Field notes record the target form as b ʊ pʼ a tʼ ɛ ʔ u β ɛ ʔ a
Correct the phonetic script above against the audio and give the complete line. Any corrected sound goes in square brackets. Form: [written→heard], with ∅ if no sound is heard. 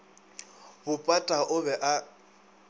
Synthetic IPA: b ʊ pʼ a tʼ [ɛ→a] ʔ [u→ʊ] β ɛ ʔ a